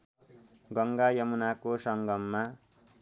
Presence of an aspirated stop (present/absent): absent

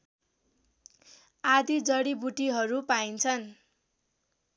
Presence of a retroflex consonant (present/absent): present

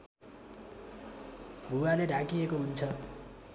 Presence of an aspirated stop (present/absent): present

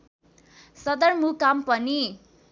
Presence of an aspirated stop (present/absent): absent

